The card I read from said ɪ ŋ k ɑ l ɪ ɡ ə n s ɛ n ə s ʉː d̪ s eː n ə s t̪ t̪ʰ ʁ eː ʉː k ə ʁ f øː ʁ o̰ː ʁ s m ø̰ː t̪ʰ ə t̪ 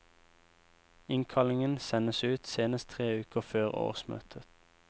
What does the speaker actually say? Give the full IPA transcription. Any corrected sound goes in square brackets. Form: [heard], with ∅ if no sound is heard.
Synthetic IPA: ɪ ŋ [kʰ] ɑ l ɪ [ŋ] ə n s ɛ n ə s ʉː [t̪] s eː n ə s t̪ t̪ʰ ʁ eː ʉː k ə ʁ f øː ʁ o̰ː ʁ s m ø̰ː t̪ʰ ə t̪